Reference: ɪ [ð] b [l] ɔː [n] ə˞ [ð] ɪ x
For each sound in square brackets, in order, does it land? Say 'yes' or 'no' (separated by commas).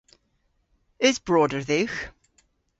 no, no, no, yes